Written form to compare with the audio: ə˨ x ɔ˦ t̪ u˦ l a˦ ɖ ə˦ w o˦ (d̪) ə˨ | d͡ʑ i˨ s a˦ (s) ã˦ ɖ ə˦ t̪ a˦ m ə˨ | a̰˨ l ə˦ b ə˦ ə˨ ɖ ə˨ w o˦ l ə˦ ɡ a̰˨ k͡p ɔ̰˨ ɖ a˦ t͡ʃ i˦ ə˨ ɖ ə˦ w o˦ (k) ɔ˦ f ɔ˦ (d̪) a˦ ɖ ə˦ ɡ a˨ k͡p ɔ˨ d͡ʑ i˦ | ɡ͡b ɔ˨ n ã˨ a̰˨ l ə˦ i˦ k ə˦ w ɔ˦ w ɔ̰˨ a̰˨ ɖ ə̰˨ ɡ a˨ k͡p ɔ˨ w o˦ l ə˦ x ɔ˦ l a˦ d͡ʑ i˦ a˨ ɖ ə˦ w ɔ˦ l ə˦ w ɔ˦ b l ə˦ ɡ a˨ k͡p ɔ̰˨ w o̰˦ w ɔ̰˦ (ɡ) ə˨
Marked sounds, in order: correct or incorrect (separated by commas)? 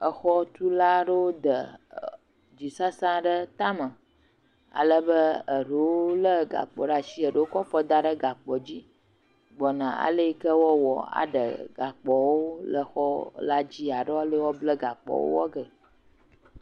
correct, correct, correct, correct, correct